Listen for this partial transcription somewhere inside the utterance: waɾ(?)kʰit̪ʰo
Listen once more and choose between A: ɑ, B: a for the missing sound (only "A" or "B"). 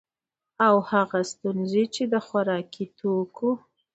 A